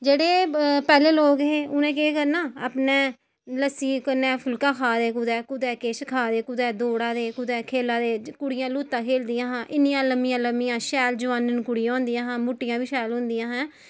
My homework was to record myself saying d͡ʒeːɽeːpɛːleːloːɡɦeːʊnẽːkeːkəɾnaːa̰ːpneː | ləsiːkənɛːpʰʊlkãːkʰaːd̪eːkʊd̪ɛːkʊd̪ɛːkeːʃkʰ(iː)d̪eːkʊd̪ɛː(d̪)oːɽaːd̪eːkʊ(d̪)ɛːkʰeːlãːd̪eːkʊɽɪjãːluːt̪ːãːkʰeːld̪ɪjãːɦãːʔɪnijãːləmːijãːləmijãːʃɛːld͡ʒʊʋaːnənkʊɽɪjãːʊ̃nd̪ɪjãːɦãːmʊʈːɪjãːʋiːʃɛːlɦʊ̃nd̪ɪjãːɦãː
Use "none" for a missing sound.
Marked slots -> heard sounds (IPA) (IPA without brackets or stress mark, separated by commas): aː, d̪, d̪